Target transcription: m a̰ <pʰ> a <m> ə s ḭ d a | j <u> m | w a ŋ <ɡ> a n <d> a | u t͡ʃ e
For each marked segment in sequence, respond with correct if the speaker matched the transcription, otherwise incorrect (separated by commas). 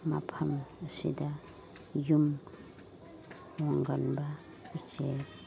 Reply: correct, correct, correct, correct, incorrect